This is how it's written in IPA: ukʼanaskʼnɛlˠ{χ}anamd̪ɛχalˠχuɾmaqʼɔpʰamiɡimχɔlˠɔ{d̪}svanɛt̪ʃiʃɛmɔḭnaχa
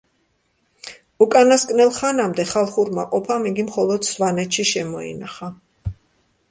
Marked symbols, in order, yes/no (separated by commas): yes, yes